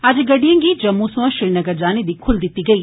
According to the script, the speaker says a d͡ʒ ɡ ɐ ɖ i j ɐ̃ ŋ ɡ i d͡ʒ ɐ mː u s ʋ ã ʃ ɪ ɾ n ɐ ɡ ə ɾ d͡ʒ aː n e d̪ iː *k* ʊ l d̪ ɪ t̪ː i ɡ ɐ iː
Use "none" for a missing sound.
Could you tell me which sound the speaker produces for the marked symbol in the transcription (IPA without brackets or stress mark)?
kʰ